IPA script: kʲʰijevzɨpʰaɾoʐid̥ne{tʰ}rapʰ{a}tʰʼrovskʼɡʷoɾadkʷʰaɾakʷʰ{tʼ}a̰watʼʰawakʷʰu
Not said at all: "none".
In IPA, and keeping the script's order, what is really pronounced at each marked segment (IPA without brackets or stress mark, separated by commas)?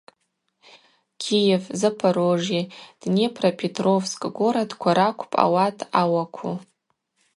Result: pʰ, e, pʼ